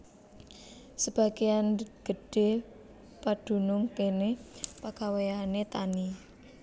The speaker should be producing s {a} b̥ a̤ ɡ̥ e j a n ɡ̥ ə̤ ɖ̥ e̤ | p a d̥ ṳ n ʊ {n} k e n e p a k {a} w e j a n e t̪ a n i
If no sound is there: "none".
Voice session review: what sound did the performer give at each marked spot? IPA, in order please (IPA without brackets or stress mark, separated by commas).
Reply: ə, ŋ, a